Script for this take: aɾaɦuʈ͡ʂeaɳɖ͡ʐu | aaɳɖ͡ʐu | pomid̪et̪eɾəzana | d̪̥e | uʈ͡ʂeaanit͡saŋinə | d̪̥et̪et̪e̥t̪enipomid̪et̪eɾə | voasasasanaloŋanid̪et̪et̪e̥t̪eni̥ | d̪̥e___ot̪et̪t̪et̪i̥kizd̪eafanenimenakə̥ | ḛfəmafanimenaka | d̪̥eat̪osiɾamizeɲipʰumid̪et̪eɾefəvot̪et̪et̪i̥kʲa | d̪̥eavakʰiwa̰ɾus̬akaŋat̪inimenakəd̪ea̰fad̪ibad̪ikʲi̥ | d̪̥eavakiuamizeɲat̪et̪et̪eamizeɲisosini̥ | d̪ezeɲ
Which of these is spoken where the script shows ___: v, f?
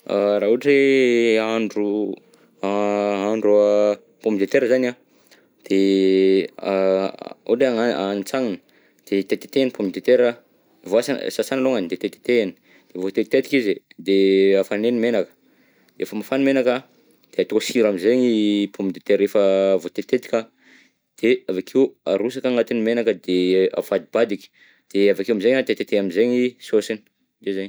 v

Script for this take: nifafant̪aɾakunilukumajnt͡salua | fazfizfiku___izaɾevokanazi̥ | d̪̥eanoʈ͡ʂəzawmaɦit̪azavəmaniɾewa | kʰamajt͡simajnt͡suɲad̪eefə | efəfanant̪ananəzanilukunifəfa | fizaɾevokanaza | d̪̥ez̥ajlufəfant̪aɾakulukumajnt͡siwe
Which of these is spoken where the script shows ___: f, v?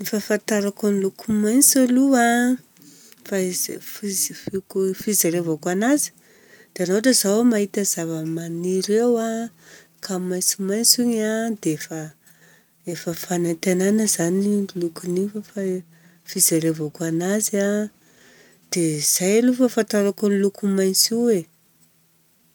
f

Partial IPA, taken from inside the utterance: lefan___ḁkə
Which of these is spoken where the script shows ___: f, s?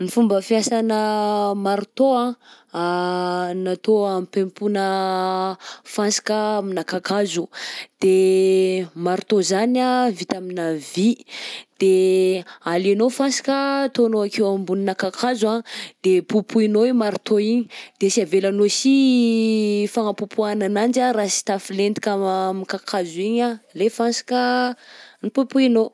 s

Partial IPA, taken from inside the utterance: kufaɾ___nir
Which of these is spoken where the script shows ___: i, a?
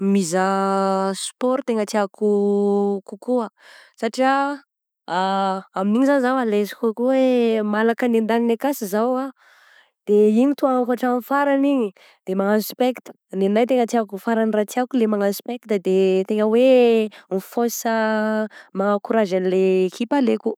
a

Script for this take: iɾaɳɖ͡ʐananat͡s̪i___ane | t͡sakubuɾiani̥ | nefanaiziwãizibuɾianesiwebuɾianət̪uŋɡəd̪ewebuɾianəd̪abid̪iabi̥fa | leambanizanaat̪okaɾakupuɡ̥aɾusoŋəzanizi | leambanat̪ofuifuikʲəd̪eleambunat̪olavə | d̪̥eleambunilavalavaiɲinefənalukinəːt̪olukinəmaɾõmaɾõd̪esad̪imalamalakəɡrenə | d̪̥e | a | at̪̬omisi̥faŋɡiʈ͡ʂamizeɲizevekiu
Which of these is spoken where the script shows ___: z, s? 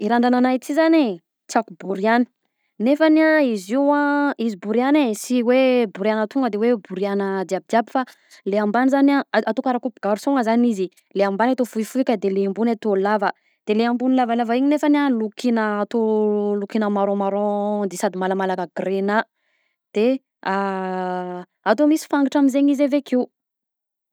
z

